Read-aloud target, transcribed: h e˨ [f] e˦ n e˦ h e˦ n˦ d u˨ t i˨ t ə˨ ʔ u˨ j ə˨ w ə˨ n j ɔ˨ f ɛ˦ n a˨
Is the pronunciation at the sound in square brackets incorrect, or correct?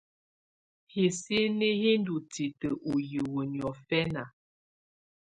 incorrect